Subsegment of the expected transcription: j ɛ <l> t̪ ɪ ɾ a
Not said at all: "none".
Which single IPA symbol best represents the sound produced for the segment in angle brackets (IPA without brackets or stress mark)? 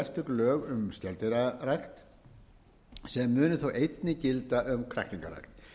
l